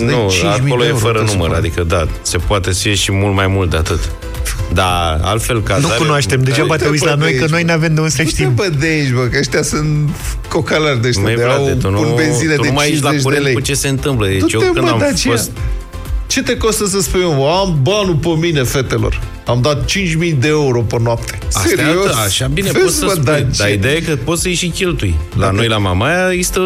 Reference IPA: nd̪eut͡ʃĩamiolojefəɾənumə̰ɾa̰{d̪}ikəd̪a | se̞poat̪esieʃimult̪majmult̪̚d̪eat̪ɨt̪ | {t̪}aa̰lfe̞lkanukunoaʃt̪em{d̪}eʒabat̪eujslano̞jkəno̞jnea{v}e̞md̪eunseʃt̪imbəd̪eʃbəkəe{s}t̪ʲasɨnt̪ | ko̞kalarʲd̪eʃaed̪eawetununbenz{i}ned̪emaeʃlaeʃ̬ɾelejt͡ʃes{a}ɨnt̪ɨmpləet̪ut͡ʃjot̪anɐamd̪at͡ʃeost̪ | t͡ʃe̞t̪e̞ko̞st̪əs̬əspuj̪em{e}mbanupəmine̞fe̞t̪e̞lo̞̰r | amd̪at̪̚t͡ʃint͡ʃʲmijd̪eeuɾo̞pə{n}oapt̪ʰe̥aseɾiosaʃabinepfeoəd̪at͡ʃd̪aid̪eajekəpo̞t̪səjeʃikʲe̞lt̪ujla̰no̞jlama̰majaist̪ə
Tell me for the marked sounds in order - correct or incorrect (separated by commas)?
correct, incorrect, correct, correct, incorrect, correct, incorrect, incorrect, correct